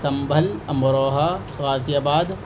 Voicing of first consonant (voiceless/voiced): voiceless